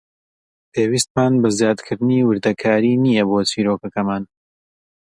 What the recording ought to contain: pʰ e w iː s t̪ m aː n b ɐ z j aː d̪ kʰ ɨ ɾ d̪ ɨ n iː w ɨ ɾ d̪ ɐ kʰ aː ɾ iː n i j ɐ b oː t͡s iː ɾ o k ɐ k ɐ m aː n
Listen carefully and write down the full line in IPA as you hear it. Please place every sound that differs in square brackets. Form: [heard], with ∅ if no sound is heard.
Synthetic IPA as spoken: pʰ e w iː s t̪ m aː n b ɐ z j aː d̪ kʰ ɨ ɾ d̪ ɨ n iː w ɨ ɾ d̪ ɐ kʰ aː ɾ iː n i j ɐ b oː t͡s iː ɾ o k ɐ k ɐ m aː n